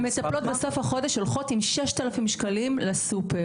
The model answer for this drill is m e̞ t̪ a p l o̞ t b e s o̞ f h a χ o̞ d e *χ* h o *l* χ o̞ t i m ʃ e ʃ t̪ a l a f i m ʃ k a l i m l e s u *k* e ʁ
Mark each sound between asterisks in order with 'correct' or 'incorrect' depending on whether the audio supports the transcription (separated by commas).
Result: incorrect, correct, incorrect